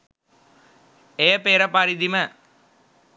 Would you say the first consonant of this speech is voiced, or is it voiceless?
voiceless